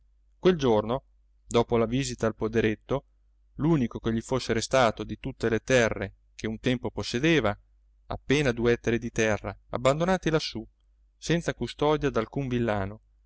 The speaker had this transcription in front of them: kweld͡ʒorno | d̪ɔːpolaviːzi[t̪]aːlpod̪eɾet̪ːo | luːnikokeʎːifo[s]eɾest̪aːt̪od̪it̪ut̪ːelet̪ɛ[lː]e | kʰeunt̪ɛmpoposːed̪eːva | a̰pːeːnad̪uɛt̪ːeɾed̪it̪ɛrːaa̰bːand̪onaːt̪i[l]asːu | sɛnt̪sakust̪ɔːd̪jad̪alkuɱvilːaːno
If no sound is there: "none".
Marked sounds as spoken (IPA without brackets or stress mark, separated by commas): t̪, sː, rː, l